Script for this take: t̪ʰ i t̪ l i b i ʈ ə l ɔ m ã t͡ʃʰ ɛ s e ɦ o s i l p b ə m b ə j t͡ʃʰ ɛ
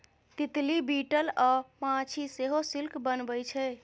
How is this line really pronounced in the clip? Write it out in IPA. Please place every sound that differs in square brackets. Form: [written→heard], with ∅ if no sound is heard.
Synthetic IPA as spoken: [t̪ʰ→t̪] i t̪ l i b i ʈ ə l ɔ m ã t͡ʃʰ [ɛ→i] s e ɦ o s i l [p→k] b ə [m→n] b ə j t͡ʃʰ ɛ